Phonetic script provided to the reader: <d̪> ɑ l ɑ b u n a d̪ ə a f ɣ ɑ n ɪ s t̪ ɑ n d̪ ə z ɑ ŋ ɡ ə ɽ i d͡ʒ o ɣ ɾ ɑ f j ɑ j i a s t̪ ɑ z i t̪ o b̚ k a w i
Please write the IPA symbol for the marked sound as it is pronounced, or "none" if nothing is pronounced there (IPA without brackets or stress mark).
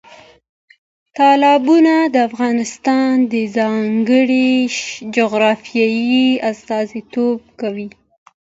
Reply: t̪